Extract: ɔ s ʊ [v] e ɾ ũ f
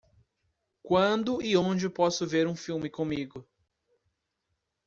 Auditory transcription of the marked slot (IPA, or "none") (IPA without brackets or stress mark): v